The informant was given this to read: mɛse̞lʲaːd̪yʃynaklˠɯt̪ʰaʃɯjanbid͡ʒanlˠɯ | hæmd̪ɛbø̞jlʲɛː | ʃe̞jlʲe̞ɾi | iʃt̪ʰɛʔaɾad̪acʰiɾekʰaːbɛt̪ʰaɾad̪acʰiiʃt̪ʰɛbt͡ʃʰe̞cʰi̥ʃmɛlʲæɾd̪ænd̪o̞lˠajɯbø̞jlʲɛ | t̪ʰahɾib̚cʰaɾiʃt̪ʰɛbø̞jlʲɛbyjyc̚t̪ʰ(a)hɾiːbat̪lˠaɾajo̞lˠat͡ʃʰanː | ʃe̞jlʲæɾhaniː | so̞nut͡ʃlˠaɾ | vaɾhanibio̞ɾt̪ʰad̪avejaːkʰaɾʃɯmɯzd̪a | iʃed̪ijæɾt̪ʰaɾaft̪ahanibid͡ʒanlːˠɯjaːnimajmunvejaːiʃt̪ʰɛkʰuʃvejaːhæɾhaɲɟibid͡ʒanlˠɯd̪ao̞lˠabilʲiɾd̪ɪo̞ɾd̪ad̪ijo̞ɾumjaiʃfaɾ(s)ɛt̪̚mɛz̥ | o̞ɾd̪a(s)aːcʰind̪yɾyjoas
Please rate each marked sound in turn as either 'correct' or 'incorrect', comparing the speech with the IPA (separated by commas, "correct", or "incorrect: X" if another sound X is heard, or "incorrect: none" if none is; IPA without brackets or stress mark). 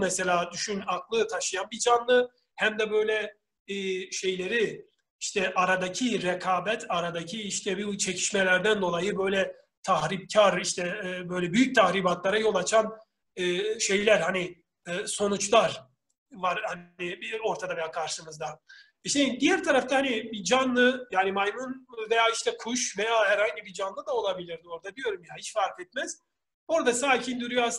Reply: correct, incorrect: f, correct